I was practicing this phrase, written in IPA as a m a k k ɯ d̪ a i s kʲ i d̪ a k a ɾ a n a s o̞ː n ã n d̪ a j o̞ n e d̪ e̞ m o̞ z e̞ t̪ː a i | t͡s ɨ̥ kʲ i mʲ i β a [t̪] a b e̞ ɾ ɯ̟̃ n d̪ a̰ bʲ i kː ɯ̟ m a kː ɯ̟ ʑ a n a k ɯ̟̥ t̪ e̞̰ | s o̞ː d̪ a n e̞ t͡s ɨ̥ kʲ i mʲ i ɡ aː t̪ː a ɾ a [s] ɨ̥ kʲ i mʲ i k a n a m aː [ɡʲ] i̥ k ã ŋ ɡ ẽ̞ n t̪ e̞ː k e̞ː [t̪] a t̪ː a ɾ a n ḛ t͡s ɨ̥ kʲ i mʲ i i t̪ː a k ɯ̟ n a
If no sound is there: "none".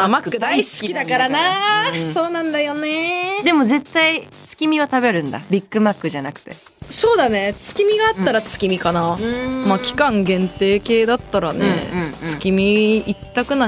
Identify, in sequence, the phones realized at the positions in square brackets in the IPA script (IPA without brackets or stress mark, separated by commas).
t̪, t͡s, kʲ, d̪